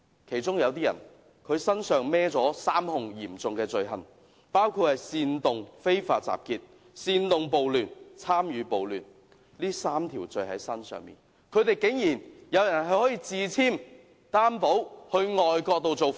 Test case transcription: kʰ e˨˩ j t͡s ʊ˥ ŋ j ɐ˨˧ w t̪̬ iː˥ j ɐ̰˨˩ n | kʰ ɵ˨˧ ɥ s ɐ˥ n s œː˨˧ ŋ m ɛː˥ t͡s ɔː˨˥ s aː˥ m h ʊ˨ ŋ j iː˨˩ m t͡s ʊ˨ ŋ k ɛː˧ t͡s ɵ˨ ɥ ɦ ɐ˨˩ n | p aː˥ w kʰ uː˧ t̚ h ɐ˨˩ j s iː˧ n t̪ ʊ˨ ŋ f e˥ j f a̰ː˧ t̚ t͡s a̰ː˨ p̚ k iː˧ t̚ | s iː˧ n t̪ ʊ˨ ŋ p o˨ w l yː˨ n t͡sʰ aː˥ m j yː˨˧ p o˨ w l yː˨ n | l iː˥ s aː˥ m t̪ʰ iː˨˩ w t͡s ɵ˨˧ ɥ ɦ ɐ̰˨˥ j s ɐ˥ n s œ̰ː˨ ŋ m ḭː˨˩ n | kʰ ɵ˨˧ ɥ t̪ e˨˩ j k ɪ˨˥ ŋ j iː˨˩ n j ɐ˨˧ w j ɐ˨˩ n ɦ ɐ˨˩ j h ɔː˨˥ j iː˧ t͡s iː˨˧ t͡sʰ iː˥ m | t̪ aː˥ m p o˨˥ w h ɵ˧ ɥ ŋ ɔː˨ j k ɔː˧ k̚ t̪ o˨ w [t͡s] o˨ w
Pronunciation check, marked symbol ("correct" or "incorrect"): correct